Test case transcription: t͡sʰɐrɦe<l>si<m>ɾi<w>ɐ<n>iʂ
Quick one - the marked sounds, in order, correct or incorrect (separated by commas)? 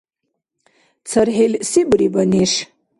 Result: correct, incorrect, incorrect, correct